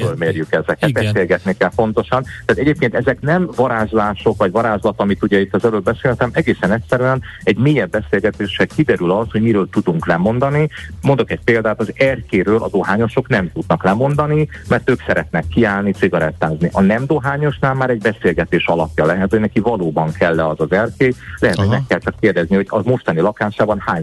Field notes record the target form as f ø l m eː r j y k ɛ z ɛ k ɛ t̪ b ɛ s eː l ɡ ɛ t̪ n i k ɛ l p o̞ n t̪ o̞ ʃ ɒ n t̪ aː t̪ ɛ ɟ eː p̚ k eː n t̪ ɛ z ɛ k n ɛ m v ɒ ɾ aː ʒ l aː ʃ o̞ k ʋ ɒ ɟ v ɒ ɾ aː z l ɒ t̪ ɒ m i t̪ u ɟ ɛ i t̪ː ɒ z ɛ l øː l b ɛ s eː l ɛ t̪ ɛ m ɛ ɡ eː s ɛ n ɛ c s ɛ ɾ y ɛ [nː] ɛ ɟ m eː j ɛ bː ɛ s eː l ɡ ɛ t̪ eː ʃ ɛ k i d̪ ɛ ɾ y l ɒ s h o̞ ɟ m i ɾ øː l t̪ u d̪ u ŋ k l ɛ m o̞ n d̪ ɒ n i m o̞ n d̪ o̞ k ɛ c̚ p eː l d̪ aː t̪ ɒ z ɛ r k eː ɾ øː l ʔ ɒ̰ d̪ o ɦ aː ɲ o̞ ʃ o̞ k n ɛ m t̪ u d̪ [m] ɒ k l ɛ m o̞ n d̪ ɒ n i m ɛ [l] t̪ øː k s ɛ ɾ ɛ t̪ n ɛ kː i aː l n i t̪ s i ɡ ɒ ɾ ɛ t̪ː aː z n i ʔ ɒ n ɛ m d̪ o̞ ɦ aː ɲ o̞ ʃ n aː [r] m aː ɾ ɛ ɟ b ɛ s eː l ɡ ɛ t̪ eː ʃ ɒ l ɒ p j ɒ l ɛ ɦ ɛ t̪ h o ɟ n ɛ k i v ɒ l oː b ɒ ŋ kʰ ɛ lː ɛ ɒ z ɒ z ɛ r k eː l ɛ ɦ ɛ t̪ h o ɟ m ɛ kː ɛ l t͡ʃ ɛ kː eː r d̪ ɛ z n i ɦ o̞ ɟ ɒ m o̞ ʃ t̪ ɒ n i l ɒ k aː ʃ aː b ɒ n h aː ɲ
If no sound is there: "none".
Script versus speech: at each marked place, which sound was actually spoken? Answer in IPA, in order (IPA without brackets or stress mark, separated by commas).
n, n, r, l